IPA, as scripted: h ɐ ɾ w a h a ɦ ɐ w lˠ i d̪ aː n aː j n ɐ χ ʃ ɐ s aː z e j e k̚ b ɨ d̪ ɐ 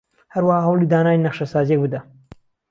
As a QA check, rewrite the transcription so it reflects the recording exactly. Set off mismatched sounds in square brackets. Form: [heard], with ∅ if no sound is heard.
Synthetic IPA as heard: h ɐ ɾ w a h a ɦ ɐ w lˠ i d̪ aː n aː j n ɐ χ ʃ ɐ s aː z [i] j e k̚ b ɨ d̪ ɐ